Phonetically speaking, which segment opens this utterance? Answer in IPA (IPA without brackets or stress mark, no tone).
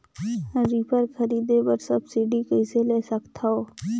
ɾ